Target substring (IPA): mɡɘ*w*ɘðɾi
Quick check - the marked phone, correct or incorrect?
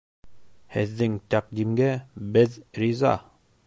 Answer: incorrect